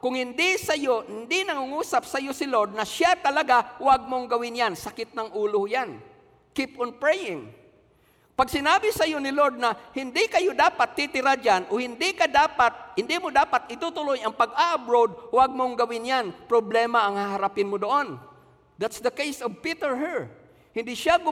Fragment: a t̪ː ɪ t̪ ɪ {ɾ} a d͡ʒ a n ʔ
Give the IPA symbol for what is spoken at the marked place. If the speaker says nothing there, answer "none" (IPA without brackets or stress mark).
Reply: ɾ